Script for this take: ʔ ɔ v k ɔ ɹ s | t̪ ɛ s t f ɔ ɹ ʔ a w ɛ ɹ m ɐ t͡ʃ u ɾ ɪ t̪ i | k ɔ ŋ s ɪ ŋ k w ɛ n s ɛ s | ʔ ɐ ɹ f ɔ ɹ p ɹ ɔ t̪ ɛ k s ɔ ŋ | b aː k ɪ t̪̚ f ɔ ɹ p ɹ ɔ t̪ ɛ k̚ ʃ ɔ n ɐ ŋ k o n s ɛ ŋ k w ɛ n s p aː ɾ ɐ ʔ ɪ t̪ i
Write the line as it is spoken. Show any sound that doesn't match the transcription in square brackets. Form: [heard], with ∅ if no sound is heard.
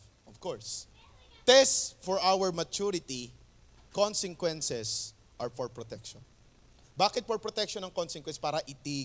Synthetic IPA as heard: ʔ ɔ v k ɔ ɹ s | t̪ ɛ s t f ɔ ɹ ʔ a w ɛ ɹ m ɐ t͡ʃ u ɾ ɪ t̪ i | k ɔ [n] s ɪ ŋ k w ɛ n s ɛ s | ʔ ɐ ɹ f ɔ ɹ p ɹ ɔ t̪ ɛ k [ʃ] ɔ [n] | b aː k ɪ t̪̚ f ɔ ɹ p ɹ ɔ t̪ ɛ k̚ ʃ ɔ n ɐ ŋ k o n s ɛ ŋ k w ɛ n s p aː ɾ ɐ ʔ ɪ t̪ i